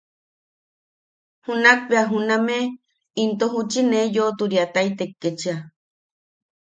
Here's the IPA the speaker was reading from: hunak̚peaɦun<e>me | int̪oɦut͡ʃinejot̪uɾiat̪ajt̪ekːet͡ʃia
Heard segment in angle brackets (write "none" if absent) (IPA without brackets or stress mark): a